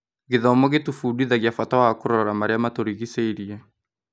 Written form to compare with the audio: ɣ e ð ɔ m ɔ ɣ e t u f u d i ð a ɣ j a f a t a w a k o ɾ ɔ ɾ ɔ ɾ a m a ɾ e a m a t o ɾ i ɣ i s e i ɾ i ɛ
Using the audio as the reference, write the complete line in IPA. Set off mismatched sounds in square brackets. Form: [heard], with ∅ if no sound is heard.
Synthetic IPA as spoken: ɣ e ð ɔ m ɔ ɣ e t u f u d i ð a ɣ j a f a t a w a k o ɾ ɔ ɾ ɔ ɾ a m a ɾ e a m a t o ɾ i ɣ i s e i ɾ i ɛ

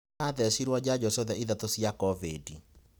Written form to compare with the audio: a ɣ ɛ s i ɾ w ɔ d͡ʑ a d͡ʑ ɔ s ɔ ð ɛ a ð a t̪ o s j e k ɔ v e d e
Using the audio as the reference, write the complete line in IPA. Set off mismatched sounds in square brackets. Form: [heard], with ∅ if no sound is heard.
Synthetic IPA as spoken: a [ð] ɛ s i ɾ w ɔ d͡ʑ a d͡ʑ ɔ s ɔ ð ɛ [i] ð a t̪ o s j [a] k ɔ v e d [i]

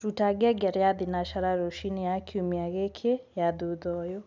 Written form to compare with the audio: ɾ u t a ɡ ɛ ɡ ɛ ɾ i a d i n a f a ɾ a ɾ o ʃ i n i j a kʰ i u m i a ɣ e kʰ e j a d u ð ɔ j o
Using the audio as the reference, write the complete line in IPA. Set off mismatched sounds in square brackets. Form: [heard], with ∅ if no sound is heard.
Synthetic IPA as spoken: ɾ u t a ɡ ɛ ɡ ɛ ɾ [j] a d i n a [ʃ] a ɾ a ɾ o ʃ i n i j a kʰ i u m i a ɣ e kʰ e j a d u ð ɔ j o

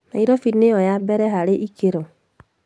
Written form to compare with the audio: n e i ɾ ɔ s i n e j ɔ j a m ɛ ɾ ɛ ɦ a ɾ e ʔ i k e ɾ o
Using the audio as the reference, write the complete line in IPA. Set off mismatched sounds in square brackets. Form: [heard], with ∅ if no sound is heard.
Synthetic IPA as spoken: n [a] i ɾ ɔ [f] i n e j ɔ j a [b] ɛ ɾ ɛ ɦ a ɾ e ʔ i k e ɾ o

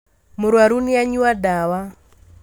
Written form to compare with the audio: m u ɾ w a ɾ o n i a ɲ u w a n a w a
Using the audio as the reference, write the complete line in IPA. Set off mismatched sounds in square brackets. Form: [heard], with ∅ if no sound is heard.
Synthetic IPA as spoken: m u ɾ w a ɾ [u] n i a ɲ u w a [d] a w a

